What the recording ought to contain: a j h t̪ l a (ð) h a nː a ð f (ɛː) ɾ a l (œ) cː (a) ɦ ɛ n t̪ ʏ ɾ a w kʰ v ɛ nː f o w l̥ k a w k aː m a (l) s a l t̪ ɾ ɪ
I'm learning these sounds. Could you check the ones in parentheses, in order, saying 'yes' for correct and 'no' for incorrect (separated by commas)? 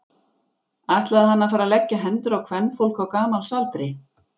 yes, no, no, yes, yes